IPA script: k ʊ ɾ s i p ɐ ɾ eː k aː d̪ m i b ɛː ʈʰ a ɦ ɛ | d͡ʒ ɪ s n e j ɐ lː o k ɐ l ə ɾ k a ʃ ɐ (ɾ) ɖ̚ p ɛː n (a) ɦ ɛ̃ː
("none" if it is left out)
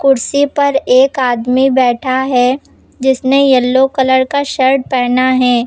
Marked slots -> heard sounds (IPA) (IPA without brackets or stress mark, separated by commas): ɾ, a